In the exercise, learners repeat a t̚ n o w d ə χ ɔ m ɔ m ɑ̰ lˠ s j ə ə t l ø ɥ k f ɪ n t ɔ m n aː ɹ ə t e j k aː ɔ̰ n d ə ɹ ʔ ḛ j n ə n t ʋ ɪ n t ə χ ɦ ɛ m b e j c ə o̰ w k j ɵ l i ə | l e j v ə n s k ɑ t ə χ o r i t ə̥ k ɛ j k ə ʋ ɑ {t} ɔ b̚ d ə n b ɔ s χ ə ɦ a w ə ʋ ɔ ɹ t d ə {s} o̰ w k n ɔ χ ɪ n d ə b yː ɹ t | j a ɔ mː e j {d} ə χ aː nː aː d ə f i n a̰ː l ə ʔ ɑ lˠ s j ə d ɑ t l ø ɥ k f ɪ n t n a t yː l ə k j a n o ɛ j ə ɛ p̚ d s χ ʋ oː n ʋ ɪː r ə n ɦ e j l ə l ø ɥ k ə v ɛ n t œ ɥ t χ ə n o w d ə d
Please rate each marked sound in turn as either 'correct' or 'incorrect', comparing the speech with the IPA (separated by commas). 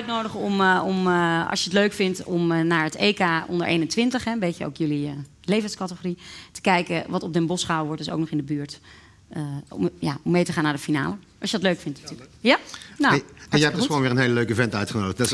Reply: correct, correct, incorrect